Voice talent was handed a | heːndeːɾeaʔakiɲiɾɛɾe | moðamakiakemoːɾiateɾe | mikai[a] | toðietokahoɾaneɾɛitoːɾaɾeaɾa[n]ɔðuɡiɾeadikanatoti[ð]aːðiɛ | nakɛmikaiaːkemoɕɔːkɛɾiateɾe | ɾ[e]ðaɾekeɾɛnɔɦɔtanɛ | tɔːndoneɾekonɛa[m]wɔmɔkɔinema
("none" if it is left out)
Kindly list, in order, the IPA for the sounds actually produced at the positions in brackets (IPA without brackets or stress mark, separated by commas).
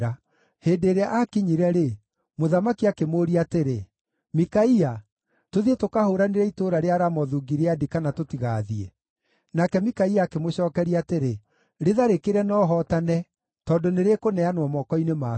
a, m, ɣ, e, n